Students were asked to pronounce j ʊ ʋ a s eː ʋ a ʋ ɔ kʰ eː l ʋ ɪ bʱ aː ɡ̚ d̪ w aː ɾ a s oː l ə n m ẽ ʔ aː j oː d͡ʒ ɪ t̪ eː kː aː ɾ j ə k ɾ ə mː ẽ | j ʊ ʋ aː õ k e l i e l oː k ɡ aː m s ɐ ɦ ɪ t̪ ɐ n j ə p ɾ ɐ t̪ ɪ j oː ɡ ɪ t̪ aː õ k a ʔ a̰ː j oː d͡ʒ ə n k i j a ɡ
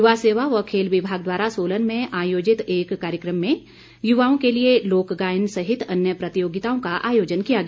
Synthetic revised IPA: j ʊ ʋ a s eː ʋ a ʋ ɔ kʰ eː l ʋ ɪ bʱ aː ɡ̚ d̪ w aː ɾ a s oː l ə n m ẽ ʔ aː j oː d͡ʒ ɪ t̪ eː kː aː ɾ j ə k ɾ ə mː ẽ | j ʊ ʋ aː õ k e l i e l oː k ɡ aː n s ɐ ɦ ɪ t̪ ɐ n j ə p ɾ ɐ t̪ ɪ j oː ɡ ɪ t̪ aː õ k a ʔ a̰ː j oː d͡ʒ ə n k i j a ɡ